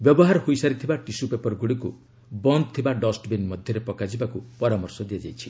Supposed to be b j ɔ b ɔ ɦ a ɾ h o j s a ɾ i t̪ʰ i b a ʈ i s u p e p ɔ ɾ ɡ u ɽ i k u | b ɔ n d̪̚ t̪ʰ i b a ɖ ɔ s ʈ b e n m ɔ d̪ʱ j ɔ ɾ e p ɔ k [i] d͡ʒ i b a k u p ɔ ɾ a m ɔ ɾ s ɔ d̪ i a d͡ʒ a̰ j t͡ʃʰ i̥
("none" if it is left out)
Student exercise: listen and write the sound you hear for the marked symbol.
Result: a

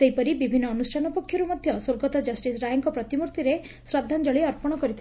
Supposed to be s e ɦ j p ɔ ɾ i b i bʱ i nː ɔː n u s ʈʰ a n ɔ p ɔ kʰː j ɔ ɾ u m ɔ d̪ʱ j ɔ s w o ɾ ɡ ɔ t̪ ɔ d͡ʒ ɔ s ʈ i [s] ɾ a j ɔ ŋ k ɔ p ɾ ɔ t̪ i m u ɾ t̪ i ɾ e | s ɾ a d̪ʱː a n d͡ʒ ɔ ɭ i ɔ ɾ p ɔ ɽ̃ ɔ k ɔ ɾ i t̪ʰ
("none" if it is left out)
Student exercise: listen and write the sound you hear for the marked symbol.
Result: s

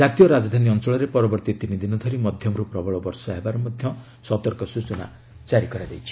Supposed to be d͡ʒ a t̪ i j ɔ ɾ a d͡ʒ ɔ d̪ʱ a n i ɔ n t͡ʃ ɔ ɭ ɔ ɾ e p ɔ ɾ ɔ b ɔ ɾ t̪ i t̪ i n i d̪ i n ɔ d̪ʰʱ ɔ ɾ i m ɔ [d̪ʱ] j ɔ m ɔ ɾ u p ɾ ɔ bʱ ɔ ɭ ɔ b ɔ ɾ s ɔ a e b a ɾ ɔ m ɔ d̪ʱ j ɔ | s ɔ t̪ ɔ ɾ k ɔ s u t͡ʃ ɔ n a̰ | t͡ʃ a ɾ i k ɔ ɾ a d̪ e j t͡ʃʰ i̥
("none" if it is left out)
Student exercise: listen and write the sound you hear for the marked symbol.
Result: d̪ʱ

